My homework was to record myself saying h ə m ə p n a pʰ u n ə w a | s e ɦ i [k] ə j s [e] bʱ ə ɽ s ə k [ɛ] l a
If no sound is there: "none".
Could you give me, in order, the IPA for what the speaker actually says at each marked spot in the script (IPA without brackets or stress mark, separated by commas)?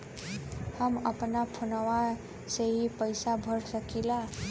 p, a, i